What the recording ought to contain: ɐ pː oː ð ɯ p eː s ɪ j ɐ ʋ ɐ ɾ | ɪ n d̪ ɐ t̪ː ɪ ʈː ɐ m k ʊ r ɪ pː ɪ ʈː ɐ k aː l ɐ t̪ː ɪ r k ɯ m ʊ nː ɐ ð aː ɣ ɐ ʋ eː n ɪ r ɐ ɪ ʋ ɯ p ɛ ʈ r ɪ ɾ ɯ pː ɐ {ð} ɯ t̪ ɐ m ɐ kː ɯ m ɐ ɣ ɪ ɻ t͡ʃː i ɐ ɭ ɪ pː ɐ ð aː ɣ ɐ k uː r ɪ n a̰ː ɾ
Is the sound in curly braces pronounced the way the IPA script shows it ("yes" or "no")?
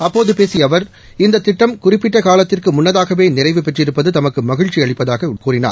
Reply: yes